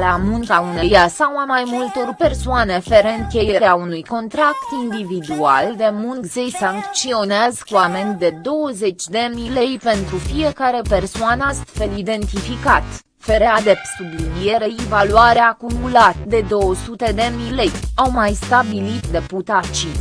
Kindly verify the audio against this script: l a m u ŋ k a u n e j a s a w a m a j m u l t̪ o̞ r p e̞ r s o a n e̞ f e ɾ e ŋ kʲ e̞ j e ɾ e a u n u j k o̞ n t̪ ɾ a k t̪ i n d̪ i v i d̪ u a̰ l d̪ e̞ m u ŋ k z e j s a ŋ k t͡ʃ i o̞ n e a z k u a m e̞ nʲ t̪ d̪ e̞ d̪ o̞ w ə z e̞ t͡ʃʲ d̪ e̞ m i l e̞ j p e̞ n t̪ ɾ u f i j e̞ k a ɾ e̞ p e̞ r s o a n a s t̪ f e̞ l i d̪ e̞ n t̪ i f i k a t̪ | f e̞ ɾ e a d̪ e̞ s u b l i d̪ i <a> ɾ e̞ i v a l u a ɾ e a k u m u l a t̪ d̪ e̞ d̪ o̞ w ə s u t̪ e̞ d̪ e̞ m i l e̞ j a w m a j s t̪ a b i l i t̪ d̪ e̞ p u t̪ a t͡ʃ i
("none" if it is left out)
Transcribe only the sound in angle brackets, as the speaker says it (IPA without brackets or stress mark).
e